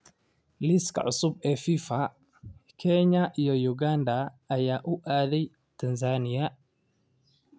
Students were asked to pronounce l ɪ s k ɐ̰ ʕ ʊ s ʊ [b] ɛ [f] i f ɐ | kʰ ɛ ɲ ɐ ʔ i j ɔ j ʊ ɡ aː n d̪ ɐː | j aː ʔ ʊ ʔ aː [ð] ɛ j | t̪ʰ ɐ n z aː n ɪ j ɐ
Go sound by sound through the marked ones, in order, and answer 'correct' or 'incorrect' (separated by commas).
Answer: correct, correct, correct